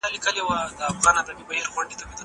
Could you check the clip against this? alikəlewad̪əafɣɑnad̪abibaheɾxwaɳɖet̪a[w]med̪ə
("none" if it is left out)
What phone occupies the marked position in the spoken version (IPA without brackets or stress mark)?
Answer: none